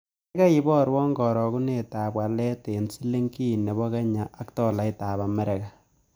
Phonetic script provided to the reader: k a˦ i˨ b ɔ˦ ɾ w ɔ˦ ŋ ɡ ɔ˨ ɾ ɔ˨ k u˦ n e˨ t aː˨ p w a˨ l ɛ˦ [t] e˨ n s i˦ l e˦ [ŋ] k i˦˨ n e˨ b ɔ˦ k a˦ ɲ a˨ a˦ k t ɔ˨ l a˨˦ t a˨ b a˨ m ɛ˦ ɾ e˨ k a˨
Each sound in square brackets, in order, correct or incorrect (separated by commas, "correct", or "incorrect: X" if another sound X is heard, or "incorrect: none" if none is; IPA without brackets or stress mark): correct, correct